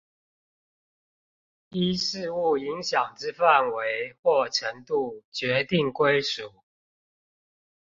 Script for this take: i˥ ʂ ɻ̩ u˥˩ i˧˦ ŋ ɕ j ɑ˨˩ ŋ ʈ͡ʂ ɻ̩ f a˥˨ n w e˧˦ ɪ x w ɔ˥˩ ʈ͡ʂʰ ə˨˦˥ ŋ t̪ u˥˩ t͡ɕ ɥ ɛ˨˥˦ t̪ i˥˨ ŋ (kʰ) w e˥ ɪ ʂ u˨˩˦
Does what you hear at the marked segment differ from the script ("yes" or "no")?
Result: yes